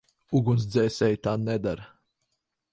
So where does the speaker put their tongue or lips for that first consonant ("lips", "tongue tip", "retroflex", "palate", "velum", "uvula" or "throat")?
velum